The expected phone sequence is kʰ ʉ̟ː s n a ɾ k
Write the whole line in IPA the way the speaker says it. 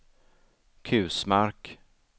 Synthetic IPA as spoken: kʰ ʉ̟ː s m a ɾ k